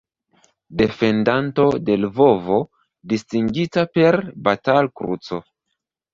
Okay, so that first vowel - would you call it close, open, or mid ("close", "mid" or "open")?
mid